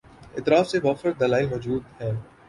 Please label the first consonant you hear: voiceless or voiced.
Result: voiceless